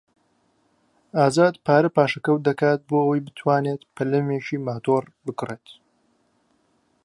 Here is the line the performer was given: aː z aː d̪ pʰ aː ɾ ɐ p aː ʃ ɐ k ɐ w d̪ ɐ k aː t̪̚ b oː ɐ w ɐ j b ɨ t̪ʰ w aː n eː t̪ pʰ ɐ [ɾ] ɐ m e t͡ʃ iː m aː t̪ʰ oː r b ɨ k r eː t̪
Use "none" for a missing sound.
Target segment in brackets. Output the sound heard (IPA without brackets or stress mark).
l